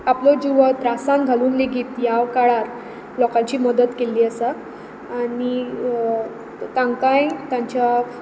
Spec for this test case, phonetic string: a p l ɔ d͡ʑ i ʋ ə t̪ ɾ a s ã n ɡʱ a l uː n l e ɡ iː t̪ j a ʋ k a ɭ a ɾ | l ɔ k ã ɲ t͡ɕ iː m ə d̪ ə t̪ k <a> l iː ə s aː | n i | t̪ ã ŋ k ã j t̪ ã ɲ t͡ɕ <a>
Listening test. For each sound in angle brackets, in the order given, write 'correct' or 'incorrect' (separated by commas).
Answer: incorrect, correct